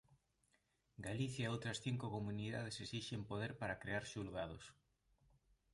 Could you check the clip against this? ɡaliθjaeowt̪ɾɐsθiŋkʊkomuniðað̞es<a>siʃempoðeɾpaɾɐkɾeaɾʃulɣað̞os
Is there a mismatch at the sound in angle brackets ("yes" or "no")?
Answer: yes